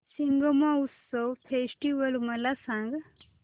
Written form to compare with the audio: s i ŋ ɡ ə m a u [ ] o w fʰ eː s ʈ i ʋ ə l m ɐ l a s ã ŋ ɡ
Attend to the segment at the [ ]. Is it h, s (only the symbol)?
s